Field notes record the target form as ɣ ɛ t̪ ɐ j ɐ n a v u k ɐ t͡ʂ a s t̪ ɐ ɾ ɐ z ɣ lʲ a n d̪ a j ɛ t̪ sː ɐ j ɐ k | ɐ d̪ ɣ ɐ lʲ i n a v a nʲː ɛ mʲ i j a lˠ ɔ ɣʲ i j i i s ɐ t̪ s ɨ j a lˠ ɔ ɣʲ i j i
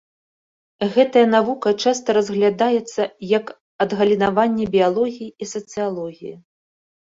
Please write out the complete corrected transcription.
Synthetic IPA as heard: ɣ ɛ t̪ ɐ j ɐ n a v u k ɐ t͡ʂ a s t̪ ɐ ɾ ɐ z ɣ lʲ a d̪ a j ɛ t̪ sː ɐ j ɐ k | ɐ d̪ ɣ ɐ lʲ i n a v a nʲː ɛ bʲ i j a lˠ ɔ ɣʲ i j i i s ɐ t̪ s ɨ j a lˠ ɔ ɣʲ i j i